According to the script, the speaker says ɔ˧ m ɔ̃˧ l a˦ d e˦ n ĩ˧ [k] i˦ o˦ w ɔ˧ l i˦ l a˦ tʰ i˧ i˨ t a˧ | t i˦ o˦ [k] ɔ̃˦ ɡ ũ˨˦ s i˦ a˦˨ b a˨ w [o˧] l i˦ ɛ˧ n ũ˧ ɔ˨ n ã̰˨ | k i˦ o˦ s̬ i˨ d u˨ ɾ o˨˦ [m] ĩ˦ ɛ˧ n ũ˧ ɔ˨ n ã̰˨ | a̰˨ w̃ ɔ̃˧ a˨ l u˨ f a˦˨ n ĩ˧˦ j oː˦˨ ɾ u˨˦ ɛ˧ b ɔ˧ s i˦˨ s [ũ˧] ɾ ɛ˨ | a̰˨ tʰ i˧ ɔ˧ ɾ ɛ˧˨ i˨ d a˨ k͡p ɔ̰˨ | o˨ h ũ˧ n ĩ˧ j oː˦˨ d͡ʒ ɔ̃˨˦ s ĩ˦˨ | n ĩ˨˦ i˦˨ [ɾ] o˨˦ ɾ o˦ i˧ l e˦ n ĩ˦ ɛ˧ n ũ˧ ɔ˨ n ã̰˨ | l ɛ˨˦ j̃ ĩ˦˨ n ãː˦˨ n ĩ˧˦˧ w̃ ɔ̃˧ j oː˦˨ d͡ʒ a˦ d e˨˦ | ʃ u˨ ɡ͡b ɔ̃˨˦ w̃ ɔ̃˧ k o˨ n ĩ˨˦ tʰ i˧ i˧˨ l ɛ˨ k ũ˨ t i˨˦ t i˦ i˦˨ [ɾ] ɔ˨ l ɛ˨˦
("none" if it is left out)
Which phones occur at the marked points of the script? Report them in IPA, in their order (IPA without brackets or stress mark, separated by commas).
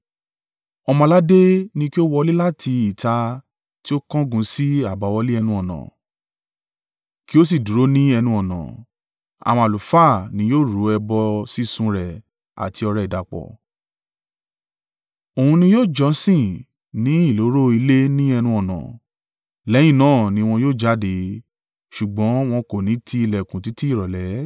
k, k, ɔ˧, n, ũ˧, l, ɾ